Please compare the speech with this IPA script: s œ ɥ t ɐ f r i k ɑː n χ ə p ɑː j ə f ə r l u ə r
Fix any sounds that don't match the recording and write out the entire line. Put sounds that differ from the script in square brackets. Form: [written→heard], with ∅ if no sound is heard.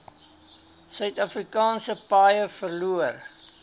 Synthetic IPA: s œ ɥ t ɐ f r i k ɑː n [χ→s] ə p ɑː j ə f ə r l u ə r